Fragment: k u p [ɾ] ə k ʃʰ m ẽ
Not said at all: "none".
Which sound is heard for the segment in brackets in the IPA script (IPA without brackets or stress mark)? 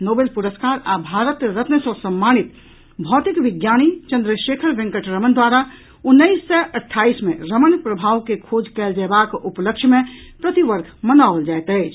l